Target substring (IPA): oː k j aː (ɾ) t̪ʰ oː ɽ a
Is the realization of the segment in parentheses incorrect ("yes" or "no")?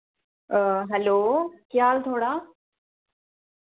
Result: yes